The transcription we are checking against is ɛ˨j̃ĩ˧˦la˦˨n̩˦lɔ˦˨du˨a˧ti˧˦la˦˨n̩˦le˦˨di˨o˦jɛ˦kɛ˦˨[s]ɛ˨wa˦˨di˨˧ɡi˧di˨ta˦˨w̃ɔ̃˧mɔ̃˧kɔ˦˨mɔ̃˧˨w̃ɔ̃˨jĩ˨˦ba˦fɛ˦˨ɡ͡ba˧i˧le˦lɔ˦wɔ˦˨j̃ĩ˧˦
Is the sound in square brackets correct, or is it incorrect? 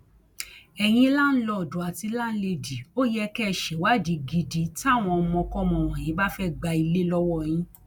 incorrect